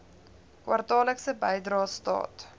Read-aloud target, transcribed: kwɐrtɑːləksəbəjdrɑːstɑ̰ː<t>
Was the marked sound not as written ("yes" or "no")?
no